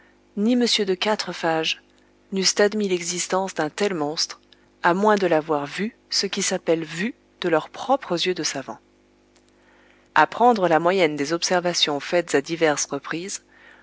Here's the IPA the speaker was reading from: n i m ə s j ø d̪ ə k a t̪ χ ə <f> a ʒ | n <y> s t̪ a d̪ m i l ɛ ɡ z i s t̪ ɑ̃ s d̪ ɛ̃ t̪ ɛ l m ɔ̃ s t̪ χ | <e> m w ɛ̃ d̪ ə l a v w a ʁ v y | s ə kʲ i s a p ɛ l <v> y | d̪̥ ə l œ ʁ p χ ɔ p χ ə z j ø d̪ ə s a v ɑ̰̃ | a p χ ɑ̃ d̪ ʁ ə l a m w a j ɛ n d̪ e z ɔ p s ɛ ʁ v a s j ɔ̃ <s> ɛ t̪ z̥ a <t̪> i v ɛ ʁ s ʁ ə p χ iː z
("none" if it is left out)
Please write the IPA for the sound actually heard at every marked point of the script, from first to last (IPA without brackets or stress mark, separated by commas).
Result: f, y, a, v, f, d̪